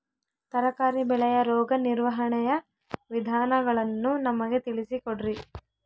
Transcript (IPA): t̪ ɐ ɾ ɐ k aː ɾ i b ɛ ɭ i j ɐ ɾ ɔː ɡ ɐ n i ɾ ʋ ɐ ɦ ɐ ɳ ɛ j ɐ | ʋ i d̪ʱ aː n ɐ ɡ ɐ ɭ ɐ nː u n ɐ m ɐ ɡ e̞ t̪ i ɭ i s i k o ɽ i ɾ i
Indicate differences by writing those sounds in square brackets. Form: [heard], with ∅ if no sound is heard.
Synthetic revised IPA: t̪ ɐ ɾ ɐ k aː ɾ i b ɛ ɭ [ɛ] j ɐ ɾ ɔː ɡ ɐ n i ɾ ʋ ɐ ɦ ɐ ɳ ɛ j ɐ | ʋ i d̪ʱ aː n ɐ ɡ ɐ ɭ ɐ nː u n ɐ m ɐ ɡ e̞ t̪ i ɭ i s i k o ɽ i ɾ i